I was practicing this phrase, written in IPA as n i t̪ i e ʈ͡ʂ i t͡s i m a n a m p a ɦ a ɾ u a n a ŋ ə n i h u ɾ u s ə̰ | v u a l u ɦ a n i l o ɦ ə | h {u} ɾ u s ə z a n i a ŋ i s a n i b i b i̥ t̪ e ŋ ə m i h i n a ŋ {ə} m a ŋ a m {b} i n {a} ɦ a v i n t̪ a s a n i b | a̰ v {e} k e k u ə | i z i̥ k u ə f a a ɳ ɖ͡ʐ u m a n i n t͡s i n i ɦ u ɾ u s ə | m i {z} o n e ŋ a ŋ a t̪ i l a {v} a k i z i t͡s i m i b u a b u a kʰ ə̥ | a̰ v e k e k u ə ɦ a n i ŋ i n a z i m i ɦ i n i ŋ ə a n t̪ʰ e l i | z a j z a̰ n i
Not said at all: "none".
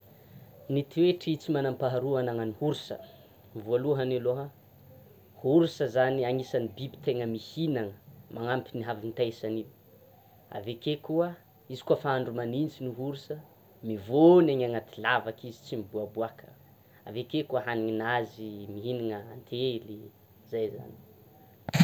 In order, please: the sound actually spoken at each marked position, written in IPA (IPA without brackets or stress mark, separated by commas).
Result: u, ə, p, i, e, v, v